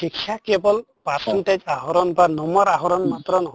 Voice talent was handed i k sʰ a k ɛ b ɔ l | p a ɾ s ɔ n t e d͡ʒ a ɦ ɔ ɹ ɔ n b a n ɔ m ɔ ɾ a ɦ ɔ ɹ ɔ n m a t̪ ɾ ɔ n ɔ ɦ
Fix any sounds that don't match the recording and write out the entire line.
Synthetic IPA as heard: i k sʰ a k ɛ b ɔ l | p a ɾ s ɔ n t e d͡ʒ a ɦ ɔ ɾ ɔ n b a n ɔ m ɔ ɾ a ɦ ɔ ɾ ɔ n m a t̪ ɾ ɔ n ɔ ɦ